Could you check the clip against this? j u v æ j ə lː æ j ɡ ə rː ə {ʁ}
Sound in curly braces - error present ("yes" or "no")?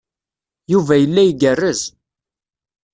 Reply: yes